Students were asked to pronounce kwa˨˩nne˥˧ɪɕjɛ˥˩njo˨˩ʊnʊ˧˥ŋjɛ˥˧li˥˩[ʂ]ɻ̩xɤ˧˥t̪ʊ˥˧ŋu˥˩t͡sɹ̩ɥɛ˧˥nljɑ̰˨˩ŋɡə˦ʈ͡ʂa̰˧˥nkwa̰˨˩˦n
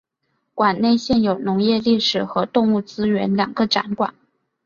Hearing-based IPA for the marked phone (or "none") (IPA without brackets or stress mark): ʂ